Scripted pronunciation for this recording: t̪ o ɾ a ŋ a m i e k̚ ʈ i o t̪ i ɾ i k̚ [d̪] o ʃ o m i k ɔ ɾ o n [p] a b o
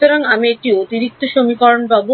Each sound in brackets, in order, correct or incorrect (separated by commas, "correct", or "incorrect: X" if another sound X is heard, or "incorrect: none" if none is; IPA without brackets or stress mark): incorrect: t̪, incorrect: b